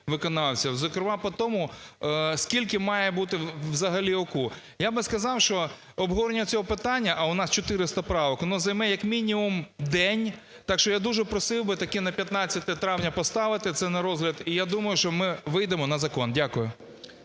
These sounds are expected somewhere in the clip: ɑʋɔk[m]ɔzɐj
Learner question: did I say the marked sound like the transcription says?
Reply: no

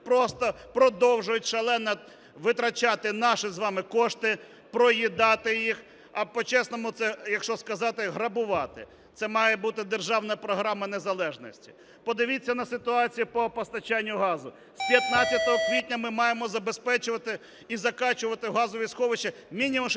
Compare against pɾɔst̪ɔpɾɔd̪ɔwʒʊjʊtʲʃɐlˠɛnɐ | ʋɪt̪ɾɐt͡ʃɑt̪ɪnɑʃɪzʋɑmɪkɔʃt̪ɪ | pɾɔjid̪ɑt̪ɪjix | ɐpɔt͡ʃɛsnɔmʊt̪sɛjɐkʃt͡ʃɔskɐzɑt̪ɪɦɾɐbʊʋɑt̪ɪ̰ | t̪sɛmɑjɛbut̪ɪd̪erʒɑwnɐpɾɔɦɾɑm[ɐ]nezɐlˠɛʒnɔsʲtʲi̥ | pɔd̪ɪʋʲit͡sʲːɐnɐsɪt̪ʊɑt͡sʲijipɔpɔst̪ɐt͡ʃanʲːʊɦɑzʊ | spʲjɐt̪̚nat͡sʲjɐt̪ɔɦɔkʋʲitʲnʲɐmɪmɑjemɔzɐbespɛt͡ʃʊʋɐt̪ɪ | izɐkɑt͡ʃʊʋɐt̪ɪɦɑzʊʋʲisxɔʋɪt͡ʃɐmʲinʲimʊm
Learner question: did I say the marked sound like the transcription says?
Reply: yes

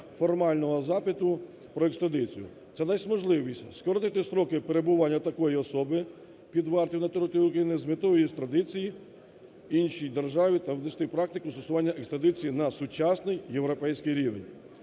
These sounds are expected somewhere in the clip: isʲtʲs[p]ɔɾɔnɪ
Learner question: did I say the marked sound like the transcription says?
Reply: no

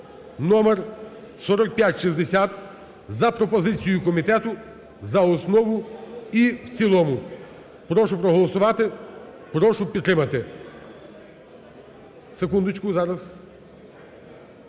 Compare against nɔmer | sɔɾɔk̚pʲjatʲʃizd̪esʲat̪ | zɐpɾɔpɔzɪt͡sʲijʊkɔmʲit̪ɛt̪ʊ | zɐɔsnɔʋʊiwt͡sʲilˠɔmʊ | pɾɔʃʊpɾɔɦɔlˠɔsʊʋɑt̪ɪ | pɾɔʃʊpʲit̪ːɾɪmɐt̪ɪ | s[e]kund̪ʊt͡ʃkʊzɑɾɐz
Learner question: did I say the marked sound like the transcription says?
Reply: yes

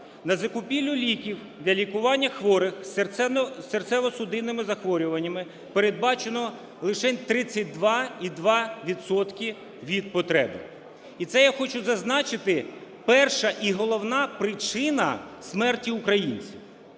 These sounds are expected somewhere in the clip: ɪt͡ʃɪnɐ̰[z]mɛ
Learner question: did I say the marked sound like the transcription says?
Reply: no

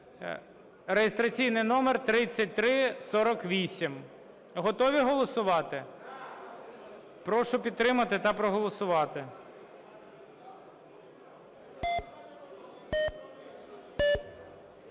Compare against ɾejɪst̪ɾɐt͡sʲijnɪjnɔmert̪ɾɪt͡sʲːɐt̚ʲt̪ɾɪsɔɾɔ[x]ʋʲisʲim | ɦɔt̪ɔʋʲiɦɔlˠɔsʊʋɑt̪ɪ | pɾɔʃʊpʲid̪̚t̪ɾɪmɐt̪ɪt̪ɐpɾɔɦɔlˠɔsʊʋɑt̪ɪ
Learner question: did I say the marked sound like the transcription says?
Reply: no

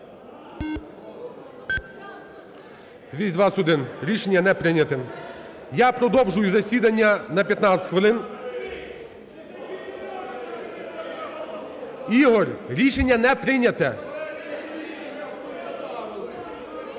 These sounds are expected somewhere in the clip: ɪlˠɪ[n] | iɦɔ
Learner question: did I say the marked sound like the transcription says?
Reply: yes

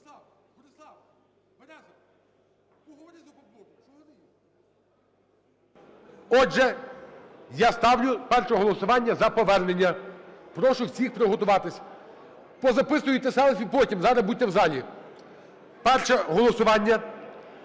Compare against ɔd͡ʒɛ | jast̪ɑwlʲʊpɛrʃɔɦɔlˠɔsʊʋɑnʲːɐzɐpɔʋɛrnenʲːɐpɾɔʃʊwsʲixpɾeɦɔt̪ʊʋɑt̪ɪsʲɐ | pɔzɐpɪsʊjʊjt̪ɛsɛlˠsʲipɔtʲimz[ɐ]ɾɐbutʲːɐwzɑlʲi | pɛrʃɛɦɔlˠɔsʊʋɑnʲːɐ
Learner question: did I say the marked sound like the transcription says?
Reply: no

